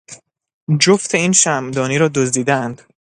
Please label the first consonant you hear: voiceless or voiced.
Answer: voiced